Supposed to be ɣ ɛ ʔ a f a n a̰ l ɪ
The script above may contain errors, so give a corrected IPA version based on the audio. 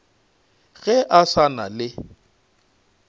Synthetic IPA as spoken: ɣ ɛ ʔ a s a n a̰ l ɪ